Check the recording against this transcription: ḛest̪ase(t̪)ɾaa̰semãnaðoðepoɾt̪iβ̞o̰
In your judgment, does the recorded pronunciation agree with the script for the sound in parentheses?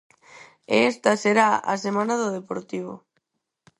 no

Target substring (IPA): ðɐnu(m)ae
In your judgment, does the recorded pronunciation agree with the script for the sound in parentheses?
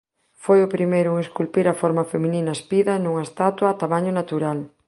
no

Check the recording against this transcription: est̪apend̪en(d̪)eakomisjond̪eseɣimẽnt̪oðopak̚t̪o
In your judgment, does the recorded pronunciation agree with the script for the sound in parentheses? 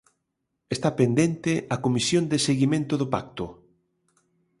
no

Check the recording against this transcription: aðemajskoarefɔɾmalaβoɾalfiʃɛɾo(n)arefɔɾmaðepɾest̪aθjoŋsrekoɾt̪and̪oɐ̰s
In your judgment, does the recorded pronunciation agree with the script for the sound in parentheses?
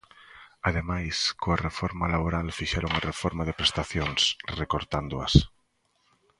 no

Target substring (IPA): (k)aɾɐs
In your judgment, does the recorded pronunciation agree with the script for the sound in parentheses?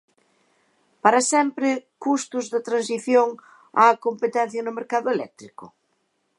no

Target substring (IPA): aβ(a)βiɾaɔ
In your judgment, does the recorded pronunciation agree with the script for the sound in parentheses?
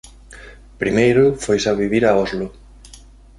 no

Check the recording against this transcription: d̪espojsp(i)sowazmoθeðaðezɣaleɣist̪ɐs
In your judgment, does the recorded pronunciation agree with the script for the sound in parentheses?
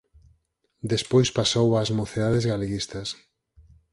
no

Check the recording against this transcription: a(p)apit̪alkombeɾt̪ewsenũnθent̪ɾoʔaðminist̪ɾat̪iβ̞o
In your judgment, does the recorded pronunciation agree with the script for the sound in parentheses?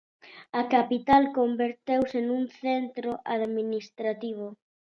no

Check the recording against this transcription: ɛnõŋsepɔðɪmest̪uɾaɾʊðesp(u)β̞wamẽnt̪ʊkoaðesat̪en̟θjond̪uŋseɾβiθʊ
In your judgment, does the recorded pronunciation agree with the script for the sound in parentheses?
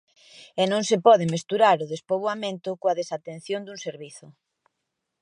no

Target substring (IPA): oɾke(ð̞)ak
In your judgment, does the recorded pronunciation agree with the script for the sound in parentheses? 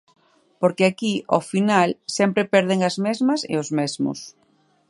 no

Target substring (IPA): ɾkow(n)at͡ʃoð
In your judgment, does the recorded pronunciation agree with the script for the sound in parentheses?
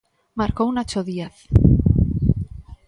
yes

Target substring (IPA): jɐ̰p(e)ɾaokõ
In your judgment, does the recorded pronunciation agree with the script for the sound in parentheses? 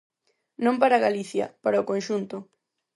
no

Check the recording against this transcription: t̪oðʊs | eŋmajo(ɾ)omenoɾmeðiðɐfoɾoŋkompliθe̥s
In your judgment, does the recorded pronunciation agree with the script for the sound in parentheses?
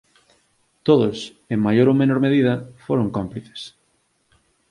yes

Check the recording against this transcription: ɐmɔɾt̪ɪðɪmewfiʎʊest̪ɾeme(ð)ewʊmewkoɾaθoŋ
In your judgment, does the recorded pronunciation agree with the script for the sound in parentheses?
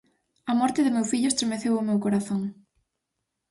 no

